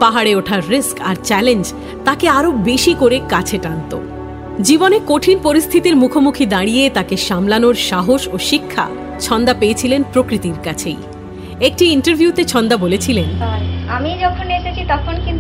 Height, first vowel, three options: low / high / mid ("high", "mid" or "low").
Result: low